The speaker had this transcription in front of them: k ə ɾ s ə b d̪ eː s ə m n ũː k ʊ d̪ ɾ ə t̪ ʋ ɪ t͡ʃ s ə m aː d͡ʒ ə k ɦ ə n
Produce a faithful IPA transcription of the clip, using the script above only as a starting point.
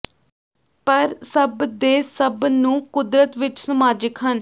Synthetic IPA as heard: p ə ɾ s ə b d̪ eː s ə b n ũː k ʊ d̪ ɾ ə t̪ ʋ ɪ t͡ʃ s ə m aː d͡ʒ ə k ɦ ə n